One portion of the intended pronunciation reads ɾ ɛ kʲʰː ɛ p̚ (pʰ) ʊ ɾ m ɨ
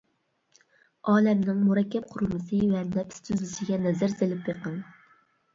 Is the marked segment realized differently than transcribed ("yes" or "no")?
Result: yes